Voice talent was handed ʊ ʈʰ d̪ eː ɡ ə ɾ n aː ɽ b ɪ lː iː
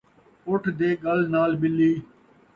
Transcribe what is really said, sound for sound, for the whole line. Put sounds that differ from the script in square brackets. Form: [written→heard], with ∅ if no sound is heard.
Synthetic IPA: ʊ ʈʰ d̪ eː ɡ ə [ɾ→l] n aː [ɽ→l] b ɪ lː iː